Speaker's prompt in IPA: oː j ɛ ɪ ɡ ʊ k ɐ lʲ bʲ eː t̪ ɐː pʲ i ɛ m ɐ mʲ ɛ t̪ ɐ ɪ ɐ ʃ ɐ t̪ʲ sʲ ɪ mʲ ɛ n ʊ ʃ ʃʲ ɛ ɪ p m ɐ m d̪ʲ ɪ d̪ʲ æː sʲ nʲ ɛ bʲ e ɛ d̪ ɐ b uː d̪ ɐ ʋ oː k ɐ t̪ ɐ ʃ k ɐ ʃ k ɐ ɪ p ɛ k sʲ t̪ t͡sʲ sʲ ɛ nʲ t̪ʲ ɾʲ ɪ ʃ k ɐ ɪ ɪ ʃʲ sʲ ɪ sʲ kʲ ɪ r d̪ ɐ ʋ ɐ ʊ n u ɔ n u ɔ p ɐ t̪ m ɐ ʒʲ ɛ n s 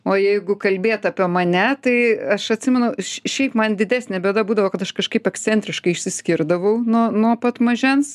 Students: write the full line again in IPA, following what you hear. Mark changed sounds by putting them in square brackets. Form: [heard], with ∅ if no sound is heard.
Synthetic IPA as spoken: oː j ɛ ɪ ɡ ʊ k ɐ lʲ bʲ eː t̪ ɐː pʲ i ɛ m ɐ [nʲ] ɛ t̪ ɐ ɪ ɐ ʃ ɐ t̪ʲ sʲ ɪ mʲ ɛ n ʊ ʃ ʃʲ ɛ ɪ p m ɐ [n] d̪ʲ ɪ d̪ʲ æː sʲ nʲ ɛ bʲ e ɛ d̪ ɐ b uː d̪ ɐ ʋ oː k ɐ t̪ ɐ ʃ k ɐ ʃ k ɐ ɪ p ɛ k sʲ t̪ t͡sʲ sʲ ɛ nʲ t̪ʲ ɾʲ ɪ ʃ k ɐ ɪ ɪ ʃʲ sʲ ɪ sʲ kʲ ɪ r d̪ ɐ ʋ ɐ ʊ n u ɔ n u ɔ p ɐ t̪ m ɐ ʒʲ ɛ n s